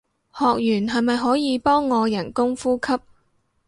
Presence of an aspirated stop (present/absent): present